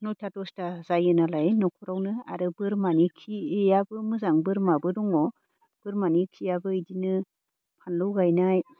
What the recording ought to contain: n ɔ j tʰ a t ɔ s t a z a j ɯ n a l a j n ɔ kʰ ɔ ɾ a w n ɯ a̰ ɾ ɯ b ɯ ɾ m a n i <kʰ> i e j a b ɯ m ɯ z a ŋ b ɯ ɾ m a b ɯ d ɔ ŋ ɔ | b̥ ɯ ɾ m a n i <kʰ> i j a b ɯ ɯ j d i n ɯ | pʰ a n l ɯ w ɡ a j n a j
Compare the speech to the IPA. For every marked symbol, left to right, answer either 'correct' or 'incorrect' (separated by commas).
correct, correct